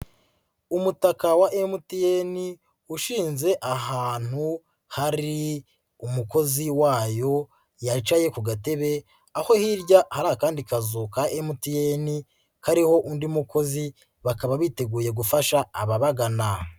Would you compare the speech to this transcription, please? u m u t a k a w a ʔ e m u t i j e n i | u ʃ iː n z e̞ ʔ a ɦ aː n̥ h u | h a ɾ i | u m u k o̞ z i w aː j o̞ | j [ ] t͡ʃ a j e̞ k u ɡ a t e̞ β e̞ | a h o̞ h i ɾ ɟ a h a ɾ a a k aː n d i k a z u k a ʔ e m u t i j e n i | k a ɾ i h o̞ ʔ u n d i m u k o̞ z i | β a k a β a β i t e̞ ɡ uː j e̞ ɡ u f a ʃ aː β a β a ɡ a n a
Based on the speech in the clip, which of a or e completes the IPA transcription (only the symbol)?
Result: a